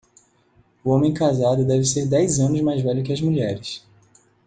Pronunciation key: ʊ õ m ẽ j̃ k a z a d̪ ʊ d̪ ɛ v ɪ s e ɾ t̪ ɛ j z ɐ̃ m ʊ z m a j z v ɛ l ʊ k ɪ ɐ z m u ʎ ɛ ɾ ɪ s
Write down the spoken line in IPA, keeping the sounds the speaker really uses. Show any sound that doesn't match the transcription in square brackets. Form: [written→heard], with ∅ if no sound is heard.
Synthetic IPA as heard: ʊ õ m ẽ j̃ k a z a d̪ ʊ d̪ ɛ v ɪ s e ɾ [t̪→d̪] ɛ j z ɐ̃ [m→n] ʊ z m a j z v ɛ [l→ʎ] ʊ k ɪ ɐ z m u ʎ ɛ ɾ ɪ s

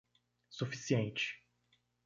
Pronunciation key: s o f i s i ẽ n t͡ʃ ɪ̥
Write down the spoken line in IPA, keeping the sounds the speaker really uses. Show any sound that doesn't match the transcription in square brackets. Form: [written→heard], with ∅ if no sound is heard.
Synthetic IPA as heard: s [o→u] f i s i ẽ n t͡ʃ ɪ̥

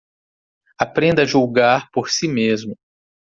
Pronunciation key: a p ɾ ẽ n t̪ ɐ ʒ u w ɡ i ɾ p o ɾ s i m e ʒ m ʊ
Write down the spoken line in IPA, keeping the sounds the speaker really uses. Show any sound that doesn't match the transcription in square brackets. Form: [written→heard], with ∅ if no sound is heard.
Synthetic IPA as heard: a p ɾ ẽ n [t̪→d̪] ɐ ʒ u w ɡ [i→a] ɾ p o ɾ s i m e [ʒ→z] m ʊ

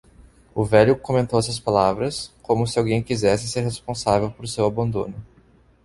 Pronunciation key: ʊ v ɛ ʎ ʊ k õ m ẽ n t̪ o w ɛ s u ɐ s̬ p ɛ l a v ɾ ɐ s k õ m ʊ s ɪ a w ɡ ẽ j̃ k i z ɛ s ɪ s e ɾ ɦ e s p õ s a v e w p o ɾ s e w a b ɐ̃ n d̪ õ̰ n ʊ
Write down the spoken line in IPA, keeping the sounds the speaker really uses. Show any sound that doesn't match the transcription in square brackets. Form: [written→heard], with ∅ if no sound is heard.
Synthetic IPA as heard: ʊ v ɛ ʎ ʊ k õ m ẽ n t̪ o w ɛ s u ɐ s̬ p [ɛ→a] l a v ɾ ɐ s k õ m ʊ s ɪ a w ɡ ẽ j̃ k i z ɛ s ɪ s e ɾ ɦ e s p õ s a v e w p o ɾ s e w a b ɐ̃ n d̪ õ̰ n ʊ

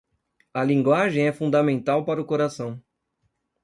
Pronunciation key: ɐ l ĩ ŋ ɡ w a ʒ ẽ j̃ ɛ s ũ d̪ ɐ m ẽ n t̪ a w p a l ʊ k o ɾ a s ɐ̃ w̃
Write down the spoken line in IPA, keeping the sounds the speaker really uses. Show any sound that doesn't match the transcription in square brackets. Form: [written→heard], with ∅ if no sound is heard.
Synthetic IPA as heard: ɐ l ĩ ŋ ɡ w a ʒ ẽ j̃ ɛ [s→f] ũ d̪ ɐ m ẽ n t̪ a w p a [l→ɾ] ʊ k o ɾ a s ɐ̃ w̃

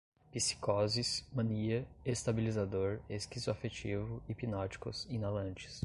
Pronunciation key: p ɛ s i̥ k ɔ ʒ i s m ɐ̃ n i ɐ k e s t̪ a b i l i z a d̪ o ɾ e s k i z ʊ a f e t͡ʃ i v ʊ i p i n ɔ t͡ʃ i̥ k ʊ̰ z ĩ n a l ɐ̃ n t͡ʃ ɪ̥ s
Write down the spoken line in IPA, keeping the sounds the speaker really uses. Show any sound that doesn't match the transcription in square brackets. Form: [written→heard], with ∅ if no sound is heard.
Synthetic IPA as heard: p [ɛ→i] s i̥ k ɔ [ʒ→z] i s m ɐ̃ n i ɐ [k→∅] e s t̪ a b i l i z a d̪ o ɾ e s k i z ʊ a f e t͡ʃ i v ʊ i p i n ɔ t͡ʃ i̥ k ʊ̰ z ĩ n a l ɐ̃ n t͡ʃ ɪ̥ s

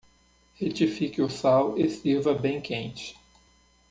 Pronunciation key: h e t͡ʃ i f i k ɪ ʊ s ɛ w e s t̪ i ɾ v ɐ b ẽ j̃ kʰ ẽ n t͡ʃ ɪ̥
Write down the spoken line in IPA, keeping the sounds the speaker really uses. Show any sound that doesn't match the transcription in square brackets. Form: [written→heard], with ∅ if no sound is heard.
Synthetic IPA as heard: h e t͡ʃ i f i k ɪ ʊ s [ɛ→a] w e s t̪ i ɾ v ɐ b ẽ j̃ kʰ ẽ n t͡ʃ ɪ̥

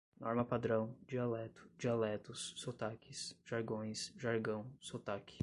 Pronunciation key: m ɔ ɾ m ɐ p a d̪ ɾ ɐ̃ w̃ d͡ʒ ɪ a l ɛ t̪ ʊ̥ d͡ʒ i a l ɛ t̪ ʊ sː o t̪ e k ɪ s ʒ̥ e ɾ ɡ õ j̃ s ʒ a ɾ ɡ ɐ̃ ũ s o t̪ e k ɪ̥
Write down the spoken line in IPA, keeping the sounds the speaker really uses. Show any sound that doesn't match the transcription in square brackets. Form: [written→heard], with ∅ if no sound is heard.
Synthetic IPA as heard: [m→n] ɔ ɾ m ɐ p a d̪ ɾ ɐ̃ w̃ d͡ʒ [ɪ→i] a l ɛ t̪ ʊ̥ d͡ʒ i a l ɛ t̪ ʊ sː o t̪ [e→a] k ɪ s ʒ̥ [e→a] ɾ ɡ õ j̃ s ʒ a ɾ ɡ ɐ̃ [ũ→w̃] s o t̪ [e→a] k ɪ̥

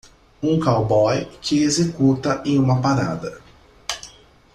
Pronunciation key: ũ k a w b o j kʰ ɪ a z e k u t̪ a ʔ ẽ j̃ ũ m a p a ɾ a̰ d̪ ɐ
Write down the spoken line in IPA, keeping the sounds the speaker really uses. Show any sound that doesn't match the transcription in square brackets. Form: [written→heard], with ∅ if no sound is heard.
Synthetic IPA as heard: ũ k a w b [o→ɔ] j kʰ ɪ [a→e] z e k u t̪ [a→ɐ] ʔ ẽ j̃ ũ m [a→ɐ] p a ɾ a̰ d̪ ɐ

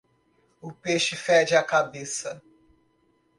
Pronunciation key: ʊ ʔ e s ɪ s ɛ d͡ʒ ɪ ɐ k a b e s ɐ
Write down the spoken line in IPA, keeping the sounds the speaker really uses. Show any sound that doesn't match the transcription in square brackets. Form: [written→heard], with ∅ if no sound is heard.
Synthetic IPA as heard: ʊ [ʔ→p] e [s→ʃ] ɪ [s→f] ɛ d͡ʒ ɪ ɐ k a b e s ɐ

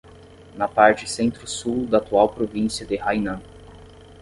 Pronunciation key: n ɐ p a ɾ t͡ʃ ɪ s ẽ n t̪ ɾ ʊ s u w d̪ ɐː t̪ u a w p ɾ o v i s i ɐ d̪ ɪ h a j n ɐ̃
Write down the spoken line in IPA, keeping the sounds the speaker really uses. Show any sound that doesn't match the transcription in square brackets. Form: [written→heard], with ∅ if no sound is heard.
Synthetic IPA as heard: n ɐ p a ɾ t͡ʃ ɪ s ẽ n t̪ ɾ ʊ s u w d̪ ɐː t̪ u a w p ɾ o v [i→ĩ] s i ɐ d̪ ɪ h a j n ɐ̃

